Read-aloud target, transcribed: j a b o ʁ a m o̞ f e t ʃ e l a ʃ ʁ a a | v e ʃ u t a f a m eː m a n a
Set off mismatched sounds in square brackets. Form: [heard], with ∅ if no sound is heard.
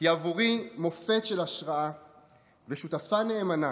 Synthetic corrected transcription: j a [v] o ʁ [i] m o̞ f e t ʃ e l a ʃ ʁ a a | v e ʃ u t a f a [n] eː m a n a